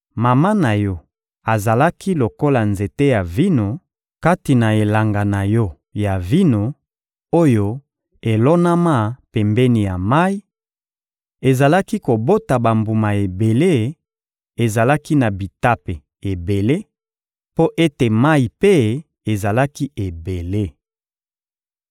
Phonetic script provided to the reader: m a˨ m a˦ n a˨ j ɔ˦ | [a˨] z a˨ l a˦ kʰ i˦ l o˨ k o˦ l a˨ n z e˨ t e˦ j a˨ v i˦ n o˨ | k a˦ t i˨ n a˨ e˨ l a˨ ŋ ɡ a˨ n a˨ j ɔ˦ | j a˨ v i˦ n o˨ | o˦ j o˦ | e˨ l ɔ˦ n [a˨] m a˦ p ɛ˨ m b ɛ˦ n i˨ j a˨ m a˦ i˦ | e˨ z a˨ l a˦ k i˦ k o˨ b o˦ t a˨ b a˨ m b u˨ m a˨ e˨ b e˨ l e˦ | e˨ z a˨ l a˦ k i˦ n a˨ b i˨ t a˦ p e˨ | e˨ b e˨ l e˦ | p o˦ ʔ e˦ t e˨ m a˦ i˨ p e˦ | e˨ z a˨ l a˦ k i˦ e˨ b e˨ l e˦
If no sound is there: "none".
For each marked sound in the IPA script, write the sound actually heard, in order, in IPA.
a˨, a˦

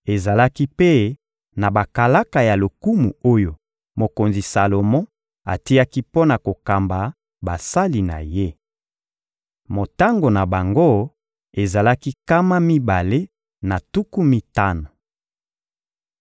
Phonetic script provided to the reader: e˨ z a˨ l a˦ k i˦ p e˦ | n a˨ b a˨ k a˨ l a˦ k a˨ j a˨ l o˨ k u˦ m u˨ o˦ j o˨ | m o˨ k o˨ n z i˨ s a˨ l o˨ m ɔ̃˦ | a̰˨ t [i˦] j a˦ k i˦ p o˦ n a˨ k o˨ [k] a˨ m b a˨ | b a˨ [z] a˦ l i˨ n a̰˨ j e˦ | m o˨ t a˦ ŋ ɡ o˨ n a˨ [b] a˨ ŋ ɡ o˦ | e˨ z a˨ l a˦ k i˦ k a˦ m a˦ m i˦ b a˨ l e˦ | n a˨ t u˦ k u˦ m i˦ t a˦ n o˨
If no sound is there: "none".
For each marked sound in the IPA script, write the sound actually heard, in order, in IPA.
i˦, k, s, b

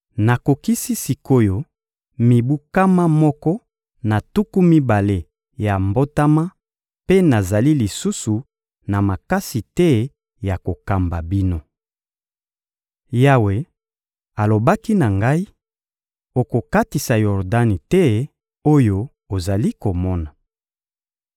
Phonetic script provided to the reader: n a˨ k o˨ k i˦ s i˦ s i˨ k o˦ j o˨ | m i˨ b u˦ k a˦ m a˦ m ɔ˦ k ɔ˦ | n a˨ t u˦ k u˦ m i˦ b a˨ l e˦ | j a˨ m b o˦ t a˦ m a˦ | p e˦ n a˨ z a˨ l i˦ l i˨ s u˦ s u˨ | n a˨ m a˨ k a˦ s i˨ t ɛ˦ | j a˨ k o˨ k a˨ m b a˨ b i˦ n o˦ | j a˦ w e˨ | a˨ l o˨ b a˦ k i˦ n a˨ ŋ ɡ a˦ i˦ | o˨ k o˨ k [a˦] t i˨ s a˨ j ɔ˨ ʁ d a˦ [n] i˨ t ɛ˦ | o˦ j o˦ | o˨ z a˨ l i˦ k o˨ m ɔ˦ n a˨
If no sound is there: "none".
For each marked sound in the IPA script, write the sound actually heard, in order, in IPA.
a˦, n

